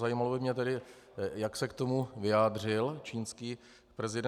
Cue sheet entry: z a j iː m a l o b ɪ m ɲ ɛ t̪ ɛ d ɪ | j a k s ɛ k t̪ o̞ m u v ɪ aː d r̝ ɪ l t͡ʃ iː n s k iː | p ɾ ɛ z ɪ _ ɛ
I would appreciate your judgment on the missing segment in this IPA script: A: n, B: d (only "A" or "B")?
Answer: B